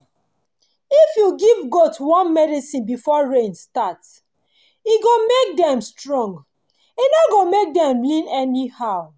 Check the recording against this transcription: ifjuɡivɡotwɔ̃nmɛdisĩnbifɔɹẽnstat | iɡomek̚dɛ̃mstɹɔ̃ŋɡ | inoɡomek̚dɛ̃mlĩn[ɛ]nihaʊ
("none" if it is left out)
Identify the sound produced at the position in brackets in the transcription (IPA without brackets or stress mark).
ɛ